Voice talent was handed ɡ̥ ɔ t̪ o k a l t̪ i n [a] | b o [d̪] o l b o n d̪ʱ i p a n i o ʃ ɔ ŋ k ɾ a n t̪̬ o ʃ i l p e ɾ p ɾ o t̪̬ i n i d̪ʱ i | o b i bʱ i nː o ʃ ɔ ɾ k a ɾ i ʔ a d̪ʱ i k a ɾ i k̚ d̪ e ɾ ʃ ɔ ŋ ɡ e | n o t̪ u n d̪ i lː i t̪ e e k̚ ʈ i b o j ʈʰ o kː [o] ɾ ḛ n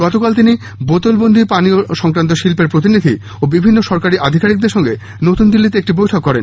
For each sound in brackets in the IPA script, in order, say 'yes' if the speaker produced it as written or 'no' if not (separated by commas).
no, no, no